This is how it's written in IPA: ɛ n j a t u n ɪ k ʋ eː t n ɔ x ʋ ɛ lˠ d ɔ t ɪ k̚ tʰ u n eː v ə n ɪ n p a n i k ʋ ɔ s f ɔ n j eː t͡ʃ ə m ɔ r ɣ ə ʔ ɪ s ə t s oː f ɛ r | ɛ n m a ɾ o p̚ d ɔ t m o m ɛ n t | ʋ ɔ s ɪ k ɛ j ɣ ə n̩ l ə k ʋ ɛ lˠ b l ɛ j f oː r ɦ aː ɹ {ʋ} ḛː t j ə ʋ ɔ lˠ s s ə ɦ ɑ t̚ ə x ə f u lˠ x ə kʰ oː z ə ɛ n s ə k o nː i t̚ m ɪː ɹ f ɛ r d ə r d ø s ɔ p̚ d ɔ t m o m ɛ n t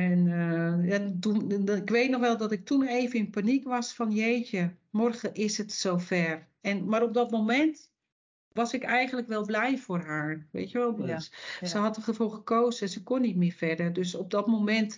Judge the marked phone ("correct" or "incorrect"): correct